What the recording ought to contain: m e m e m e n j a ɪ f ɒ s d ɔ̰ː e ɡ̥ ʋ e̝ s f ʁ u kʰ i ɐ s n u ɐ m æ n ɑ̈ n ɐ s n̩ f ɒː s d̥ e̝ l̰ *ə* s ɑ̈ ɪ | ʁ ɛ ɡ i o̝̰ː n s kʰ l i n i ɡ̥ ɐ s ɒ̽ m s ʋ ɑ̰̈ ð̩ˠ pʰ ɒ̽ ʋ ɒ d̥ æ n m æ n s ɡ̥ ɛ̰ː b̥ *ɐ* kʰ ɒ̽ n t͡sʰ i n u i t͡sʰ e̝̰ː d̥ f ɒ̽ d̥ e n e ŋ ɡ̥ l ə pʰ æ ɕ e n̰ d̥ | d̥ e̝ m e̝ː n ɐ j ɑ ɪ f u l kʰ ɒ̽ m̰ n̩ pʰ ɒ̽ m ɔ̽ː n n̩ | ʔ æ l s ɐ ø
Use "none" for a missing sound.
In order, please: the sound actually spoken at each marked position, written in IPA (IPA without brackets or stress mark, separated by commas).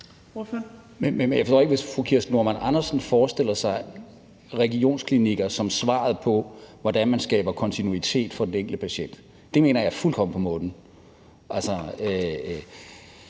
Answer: ɐ, ɐ